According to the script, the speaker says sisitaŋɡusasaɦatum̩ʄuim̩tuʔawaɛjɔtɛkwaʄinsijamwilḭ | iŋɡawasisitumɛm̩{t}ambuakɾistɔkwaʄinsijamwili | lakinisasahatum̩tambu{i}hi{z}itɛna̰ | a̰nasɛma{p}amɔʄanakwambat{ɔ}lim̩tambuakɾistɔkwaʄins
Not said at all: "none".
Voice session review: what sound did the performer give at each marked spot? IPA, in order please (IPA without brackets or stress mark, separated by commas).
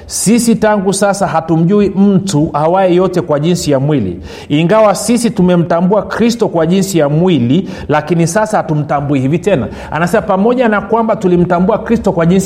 t, i, v, p, u